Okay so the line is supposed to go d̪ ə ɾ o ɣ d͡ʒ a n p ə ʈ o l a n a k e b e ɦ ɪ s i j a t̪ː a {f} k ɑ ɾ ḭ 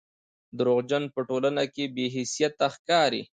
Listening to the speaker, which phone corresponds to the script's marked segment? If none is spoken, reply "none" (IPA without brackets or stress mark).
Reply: x